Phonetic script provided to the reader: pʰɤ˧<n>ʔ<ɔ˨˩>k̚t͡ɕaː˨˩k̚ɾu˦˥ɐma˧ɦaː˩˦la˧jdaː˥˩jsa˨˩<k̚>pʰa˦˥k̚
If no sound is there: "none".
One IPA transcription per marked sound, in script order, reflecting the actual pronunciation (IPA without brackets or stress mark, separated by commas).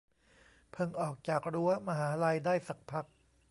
ŋ, ɔː˨˩, k̚